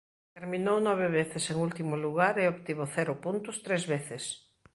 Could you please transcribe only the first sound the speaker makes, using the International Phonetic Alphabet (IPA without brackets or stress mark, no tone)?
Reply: t̪